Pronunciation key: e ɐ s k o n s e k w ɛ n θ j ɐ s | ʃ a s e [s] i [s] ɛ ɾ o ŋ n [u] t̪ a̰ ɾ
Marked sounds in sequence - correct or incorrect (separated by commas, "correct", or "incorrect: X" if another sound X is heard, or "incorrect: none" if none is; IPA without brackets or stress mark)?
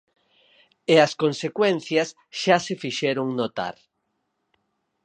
incorrect: f, incorrect: ʃ, incorrect: o